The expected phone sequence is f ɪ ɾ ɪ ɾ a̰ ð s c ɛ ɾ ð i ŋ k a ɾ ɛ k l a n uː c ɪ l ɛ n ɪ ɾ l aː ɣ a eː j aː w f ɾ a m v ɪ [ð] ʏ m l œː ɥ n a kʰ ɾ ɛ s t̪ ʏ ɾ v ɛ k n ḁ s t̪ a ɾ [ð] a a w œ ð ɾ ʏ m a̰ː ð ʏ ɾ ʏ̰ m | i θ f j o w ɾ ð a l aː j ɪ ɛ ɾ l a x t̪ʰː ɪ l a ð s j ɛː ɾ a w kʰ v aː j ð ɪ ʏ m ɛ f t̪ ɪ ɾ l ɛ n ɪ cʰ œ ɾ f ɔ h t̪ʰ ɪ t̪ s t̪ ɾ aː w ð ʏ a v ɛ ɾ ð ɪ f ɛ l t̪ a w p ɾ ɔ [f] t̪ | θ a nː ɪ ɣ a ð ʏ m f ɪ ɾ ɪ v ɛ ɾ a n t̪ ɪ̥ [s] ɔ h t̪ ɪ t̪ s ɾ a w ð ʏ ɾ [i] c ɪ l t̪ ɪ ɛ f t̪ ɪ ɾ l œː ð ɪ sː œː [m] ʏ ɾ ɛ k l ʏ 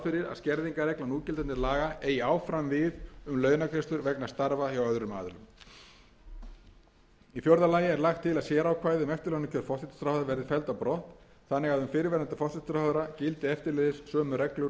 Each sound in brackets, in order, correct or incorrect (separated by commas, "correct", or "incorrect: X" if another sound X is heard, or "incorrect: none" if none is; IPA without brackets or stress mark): correct, incorrect: v, incorrect: h, incorrect: f, incorrect: a, correct